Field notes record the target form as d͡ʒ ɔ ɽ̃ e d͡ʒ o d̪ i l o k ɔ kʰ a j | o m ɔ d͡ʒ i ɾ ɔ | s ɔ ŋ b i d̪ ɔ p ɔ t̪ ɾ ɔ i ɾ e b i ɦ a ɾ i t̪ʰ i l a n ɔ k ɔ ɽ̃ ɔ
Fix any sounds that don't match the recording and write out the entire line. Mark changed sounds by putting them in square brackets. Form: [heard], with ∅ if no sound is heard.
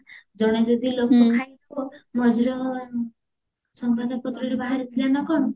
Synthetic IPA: d͡ʒ ɔ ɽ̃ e d͡ʒ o d̪ i l o k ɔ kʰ a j | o m ɔ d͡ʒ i ɾ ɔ | s ɔ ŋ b [a] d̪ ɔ p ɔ t̪ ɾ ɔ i ɾ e b [a] ɦ a ɾ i t̪ʰ i l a n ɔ k ɔ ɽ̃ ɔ